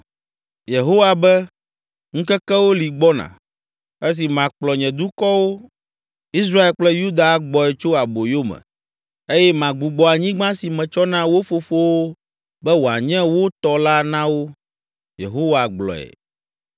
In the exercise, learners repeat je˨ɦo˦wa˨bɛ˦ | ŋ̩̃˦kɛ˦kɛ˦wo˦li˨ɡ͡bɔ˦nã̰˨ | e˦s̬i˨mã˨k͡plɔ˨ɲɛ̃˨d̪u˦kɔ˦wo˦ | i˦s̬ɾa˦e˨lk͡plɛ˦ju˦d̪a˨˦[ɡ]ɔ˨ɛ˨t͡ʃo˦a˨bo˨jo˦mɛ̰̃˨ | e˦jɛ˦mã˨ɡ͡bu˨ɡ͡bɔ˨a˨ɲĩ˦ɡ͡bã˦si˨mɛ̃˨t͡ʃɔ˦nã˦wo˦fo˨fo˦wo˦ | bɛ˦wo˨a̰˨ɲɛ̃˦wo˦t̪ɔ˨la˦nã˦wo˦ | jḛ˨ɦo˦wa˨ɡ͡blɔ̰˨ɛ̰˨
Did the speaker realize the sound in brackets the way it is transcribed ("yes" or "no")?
no